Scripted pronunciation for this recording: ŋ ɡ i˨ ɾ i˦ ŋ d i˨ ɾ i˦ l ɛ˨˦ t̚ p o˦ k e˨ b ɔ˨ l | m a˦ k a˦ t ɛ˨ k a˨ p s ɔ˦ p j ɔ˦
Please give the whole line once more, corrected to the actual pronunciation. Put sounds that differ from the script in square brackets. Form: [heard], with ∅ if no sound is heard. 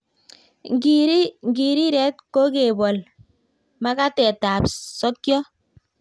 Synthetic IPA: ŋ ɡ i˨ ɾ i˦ ŋ [ɡ] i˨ ɾ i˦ [ɾ] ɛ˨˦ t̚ [k] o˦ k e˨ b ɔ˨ l | m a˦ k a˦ t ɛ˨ [t] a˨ p s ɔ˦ [k] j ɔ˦